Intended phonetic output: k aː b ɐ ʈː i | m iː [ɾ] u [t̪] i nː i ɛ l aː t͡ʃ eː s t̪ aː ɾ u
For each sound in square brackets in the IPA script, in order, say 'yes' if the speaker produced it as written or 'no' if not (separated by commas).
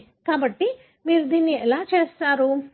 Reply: yes, no